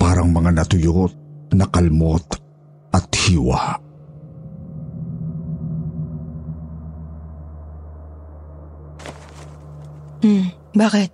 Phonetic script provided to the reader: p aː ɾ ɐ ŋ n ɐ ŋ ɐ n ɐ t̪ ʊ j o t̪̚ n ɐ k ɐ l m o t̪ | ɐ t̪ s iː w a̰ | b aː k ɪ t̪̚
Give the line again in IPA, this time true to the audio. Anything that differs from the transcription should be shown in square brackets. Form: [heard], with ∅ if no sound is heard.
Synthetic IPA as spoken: p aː ɾ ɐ ŋ [m] ɐ ŋ [a] n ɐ t̪ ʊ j o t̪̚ n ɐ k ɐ l m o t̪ | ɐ t̪ [h] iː w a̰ | b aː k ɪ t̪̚